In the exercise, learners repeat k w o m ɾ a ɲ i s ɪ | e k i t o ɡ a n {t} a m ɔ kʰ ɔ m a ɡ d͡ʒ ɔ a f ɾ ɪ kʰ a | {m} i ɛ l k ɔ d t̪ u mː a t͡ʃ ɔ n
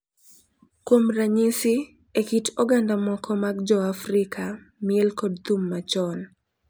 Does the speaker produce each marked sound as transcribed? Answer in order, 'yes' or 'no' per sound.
no, yes

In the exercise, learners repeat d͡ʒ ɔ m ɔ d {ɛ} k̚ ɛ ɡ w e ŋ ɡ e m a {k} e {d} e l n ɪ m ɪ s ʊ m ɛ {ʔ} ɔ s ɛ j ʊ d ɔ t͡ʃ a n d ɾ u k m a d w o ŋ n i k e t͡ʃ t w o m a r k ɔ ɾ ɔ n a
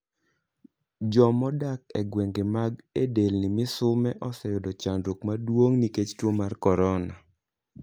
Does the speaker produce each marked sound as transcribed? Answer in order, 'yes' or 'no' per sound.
no, no, yes, yes

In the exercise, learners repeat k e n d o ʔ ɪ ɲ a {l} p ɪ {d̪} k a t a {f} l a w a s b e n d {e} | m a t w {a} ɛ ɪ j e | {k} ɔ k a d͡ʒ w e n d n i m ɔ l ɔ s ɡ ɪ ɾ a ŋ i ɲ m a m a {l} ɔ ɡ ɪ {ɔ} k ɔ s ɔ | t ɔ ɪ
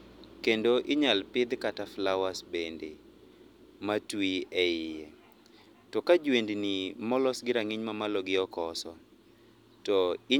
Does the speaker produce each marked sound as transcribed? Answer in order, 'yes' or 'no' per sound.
yes, yes, yes, yes, no, no, yes, yes

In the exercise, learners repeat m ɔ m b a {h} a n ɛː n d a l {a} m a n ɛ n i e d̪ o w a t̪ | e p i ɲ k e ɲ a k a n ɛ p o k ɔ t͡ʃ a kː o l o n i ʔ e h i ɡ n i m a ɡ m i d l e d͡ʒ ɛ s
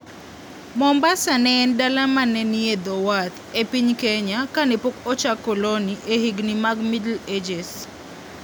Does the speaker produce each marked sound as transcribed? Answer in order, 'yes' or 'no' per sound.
no, yes

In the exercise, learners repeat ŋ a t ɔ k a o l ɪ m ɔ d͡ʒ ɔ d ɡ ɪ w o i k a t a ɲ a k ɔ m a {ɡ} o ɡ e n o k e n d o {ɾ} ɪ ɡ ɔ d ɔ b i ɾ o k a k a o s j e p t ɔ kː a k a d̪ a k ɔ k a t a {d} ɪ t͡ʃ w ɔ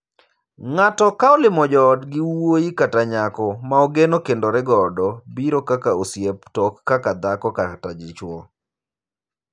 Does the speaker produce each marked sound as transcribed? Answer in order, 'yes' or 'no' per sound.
no, yes, no

